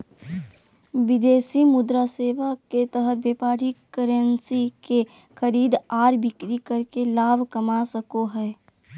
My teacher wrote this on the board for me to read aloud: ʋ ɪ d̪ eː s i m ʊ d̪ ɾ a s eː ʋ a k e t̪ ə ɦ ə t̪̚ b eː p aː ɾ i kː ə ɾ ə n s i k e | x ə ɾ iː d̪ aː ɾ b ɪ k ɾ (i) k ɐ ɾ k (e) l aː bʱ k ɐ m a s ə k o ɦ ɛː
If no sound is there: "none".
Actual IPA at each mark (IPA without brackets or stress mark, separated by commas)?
i, e